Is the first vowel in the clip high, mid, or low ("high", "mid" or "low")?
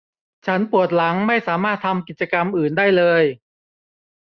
low